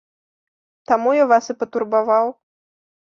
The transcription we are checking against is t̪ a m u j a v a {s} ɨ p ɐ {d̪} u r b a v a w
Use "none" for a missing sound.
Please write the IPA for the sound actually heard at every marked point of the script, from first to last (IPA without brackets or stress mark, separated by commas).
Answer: s, t̪